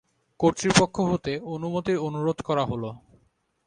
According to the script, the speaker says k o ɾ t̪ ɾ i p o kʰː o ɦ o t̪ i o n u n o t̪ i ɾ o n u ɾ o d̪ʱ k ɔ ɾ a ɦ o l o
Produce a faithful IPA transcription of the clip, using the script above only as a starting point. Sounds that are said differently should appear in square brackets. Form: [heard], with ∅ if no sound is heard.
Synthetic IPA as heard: k o ɾ t̪ ɾ i p o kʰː o ɦ o t̪ [e] o n u [m] o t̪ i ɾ o n u ɾ o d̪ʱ k ɔ ɾ a ɦ o l o